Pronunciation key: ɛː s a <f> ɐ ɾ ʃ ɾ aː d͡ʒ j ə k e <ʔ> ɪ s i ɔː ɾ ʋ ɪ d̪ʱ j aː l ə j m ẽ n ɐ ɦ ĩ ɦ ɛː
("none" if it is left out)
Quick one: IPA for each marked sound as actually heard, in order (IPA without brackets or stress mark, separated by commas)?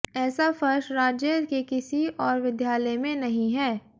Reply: f, k